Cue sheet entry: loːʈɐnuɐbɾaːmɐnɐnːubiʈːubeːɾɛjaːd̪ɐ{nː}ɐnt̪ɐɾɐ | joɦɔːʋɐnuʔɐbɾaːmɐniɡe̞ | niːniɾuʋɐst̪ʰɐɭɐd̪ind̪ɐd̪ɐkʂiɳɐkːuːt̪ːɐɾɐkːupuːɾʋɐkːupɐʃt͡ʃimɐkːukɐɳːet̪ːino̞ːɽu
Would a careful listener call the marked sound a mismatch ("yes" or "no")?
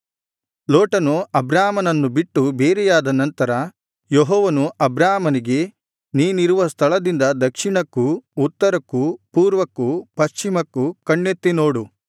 yes